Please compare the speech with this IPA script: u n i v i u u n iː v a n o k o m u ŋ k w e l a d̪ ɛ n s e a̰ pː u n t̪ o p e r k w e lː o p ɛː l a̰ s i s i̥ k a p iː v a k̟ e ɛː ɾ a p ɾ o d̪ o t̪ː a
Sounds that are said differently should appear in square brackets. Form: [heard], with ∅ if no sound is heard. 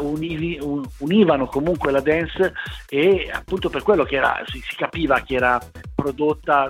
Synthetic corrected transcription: u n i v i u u n iː v a n o k o m u ŋ k w e l a d̪ ɛ n s e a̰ pː u n t̪ o p e r k w e lː o [k] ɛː [ɾ] a̰ s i s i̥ k a p iː v a k̟ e ɛː ɾ a p ɾ o d̪ o t̪ː a